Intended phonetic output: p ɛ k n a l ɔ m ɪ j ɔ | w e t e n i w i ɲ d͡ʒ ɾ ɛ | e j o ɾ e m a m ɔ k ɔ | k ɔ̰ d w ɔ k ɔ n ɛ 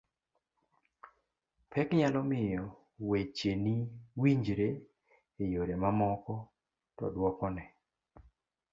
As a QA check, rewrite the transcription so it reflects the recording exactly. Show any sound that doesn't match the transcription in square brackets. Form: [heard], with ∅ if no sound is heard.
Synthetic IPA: p ɛ k [ɲ] a l ɔ m ɪ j ɔ | w e [t͡ʃ] e n i w i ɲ d͡ʒ ɾ [e] | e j o ɾ e m a m ɔ k ɔ | [t] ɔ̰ d w ɔ k ɔ n ɛ